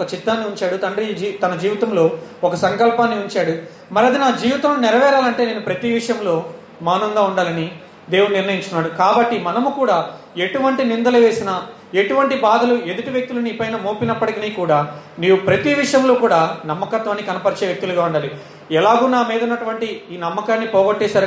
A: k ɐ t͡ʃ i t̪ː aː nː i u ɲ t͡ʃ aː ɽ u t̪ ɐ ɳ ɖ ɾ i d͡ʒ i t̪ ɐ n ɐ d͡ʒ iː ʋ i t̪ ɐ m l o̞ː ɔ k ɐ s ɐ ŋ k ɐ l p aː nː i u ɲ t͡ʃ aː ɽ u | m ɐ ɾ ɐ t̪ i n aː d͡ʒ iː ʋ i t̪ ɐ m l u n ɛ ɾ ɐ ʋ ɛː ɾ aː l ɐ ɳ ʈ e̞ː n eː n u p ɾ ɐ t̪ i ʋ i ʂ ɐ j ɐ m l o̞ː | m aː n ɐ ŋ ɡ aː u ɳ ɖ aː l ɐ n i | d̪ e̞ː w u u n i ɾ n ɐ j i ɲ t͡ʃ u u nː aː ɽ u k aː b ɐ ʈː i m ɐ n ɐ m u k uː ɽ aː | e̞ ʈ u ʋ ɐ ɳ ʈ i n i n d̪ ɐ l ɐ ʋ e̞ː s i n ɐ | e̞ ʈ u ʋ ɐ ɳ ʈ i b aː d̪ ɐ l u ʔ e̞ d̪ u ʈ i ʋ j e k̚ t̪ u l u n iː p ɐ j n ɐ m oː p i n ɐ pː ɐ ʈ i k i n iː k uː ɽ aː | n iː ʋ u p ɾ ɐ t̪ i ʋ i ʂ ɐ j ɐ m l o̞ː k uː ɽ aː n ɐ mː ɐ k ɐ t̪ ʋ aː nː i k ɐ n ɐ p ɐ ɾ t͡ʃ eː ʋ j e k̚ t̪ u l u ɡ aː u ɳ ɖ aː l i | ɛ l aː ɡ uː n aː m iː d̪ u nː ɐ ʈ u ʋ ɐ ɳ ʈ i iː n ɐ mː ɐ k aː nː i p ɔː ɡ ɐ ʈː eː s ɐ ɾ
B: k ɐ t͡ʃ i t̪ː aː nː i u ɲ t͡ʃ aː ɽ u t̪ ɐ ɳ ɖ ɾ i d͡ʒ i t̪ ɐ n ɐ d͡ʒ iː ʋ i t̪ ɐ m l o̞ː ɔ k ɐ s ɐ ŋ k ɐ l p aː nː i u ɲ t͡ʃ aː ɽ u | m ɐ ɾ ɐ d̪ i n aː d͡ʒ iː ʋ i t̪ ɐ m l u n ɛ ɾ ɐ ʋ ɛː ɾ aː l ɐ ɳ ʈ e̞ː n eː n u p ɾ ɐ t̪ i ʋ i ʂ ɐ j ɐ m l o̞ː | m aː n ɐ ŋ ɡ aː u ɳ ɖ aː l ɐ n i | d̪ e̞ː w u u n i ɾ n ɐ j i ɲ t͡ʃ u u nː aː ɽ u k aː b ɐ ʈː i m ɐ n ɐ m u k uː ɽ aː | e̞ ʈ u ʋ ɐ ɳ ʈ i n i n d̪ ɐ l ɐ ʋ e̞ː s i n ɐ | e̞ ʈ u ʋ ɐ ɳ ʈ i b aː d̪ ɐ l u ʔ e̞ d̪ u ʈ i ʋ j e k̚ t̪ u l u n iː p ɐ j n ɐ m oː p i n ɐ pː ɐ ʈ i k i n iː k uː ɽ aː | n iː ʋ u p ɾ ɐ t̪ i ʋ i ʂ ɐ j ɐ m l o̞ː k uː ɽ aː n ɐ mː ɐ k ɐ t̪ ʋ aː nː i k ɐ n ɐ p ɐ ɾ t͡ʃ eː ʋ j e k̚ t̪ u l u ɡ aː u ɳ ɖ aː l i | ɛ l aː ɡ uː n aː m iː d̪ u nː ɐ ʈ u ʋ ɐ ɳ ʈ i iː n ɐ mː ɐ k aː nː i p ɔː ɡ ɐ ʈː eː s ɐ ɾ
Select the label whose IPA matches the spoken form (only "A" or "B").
B